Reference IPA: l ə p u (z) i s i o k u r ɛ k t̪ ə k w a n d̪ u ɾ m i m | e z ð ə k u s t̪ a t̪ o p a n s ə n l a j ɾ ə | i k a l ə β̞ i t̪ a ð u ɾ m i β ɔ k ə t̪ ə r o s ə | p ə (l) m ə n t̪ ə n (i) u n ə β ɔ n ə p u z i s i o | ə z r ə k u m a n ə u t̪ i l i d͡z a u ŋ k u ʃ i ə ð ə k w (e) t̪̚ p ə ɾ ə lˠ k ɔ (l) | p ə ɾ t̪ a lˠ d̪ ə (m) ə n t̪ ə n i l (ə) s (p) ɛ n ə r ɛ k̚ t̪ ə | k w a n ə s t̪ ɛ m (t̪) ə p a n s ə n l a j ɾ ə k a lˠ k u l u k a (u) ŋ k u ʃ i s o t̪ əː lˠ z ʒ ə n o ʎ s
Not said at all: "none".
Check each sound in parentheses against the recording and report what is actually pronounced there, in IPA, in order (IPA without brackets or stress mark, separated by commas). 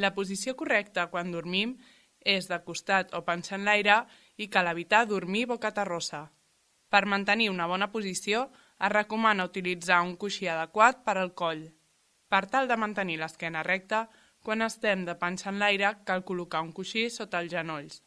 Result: z, ɾ, i, a, ʎ, m, ə, k, d̪, u